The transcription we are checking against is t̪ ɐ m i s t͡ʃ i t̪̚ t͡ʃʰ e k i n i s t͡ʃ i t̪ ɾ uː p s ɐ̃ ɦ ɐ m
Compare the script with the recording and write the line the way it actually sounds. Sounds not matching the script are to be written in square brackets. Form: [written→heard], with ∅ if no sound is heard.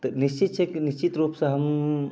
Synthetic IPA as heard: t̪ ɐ [m→n] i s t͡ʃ i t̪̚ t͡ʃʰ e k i n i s t͡ʃ i t̪ ɾ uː p s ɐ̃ ɦ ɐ m